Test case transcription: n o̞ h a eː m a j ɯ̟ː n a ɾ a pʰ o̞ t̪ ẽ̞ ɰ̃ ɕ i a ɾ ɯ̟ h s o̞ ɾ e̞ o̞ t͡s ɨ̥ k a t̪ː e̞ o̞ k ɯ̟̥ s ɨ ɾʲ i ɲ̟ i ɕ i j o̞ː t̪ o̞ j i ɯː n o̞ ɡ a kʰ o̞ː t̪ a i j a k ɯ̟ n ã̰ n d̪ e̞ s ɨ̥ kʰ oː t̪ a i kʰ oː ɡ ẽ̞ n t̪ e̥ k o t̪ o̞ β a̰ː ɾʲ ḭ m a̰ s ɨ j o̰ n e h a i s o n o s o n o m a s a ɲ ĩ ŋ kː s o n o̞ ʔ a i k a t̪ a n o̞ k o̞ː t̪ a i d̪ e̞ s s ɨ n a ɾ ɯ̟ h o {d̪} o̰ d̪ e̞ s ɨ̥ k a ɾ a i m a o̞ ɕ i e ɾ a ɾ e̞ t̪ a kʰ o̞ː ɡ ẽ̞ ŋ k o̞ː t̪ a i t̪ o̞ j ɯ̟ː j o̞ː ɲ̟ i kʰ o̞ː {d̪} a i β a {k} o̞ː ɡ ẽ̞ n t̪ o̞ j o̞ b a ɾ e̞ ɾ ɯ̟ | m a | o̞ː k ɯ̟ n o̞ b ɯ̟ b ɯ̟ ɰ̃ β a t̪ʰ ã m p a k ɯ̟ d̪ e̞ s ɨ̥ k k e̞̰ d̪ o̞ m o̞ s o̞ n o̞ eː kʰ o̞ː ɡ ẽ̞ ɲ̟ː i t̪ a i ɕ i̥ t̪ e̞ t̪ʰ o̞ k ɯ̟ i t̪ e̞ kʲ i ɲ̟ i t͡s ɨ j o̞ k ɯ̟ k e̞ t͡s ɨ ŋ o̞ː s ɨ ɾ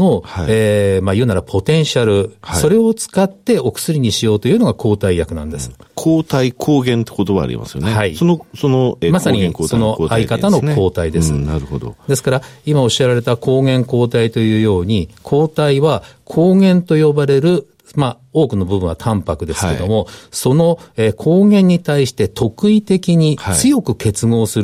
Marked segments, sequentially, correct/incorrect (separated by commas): correct, incorrect, incorrect